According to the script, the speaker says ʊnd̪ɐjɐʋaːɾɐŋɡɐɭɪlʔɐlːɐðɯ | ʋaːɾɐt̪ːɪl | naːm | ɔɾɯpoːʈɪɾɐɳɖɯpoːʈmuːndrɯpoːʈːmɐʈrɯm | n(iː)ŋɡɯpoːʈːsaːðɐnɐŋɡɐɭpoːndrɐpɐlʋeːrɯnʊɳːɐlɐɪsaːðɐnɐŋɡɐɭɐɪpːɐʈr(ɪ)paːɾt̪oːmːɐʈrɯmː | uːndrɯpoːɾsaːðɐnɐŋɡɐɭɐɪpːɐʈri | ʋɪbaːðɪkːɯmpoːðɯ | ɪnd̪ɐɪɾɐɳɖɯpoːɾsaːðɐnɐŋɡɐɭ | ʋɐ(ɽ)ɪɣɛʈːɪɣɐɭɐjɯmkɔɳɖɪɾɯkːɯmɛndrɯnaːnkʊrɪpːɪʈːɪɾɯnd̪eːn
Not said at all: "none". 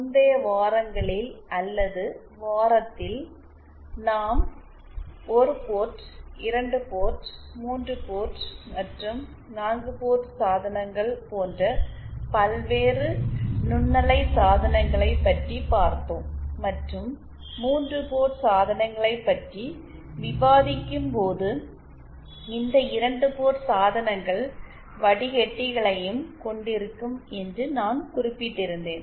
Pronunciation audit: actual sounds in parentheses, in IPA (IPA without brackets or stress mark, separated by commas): aː, i, ɽ